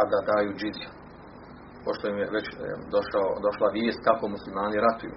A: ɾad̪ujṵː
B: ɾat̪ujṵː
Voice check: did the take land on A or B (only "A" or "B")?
B